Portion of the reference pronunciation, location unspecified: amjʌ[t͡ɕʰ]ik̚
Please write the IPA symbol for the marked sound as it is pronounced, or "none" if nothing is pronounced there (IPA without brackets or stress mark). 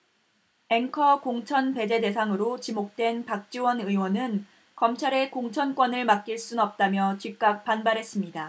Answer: t͡ɕ